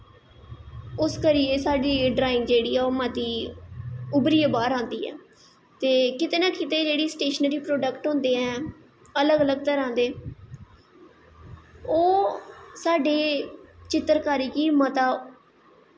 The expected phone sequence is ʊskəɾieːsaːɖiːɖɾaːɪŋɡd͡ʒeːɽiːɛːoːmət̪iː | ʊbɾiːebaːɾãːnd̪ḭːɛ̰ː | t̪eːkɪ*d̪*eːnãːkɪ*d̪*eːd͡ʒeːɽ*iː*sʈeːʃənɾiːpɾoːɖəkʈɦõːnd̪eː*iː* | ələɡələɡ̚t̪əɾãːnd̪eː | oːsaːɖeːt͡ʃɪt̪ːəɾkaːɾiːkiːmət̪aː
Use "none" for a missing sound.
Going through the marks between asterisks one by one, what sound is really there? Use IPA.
t̪, t̪, iː, ɛː

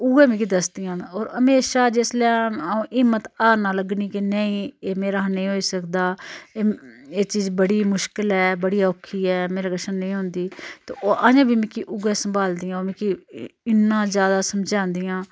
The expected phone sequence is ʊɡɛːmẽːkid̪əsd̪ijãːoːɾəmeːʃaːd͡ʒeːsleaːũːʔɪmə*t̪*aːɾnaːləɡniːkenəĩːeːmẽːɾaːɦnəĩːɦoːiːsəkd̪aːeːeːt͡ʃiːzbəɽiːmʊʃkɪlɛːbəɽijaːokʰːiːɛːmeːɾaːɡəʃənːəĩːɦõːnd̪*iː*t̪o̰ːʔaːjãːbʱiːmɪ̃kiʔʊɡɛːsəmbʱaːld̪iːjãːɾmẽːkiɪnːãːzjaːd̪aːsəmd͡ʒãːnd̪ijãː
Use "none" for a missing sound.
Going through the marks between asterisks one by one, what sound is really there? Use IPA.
t̪, iː

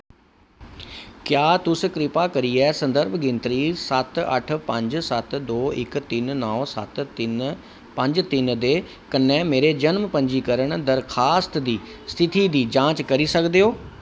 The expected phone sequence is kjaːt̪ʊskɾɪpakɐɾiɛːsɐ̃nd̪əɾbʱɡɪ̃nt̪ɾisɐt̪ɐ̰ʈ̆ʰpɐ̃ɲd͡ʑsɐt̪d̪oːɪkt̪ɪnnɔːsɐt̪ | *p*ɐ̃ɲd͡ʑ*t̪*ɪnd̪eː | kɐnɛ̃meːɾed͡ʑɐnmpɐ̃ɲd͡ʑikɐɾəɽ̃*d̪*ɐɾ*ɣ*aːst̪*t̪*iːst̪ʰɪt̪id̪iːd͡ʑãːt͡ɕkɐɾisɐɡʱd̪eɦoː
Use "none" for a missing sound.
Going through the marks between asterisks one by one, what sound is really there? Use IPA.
p, t̪, d̪, x, d̪

